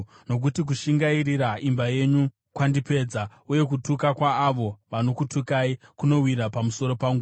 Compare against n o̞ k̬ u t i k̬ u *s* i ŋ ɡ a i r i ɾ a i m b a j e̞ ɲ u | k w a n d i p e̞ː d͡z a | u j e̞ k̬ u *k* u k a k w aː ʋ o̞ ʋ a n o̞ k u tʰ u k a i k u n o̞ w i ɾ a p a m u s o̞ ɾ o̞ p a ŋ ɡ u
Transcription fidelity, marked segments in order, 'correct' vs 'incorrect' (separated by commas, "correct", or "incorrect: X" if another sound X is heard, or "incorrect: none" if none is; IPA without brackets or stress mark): incorrect: ʃ, incorrect: t